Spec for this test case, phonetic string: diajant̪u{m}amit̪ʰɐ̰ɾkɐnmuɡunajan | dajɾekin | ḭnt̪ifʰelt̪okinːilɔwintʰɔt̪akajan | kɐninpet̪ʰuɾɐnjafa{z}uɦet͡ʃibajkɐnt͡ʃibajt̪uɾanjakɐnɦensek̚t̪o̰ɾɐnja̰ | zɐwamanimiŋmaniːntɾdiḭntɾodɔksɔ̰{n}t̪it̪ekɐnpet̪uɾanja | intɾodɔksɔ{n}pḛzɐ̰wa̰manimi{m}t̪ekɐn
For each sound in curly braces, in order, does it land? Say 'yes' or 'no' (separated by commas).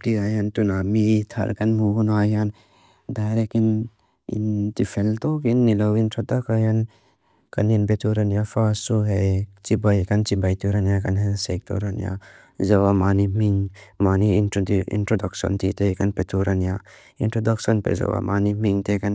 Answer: no, no, yes, yes, no